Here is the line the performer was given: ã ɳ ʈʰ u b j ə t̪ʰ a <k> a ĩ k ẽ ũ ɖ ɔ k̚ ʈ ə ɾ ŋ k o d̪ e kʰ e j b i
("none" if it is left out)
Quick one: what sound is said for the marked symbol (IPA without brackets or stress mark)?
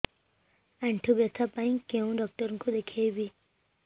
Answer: p